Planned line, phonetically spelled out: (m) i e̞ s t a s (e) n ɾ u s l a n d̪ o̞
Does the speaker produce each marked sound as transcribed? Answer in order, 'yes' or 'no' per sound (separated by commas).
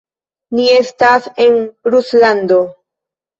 no, yes